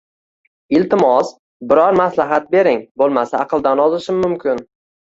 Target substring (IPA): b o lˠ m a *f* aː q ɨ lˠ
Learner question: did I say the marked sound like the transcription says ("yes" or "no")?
no